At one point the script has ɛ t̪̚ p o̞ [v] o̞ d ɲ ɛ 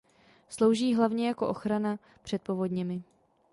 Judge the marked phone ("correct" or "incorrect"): correct